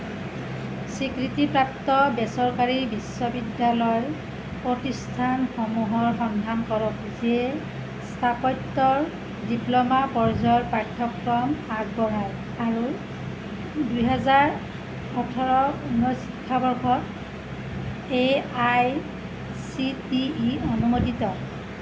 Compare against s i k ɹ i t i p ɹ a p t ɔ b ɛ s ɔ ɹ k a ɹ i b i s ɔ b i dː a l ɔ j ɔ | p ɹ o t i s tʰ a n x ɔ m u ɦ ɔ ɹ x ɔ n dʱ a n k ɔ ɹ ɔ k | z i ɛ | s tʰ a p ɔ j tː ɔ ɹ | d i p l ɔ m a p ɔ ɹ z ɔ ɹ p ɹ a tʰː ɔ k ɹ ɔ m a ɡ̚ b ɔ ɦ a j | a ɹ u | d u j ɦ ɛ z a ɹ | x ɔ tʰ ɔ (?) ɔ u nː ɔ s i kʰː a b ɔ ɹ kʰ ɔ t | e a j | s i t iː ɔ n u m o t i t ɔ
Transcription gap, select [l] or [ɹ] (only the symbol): ɹ